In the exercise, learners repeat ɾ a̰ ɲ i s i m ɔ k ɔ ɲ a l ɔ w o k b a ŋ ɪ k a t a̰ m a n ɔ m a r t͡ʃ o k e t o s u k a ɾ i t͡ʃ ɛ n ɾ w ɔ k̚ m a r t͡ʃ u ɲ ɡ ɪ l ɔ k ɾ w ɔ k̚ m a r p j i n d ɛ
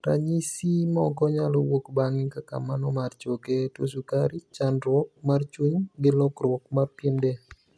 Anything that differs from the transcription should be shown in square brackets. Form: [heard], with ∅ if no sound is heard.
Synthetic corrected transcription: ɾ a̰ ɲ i s i m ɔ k ɔ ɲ a l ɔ w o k b a ŋ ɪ k a [k] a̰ m a n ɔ m a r t͡ʃ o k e t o s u k a ɾ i t͡ʃ [a] n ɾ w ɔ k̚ m a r t͡ʃ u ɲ ɡ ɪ l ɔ k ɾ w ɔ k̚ m a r p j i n d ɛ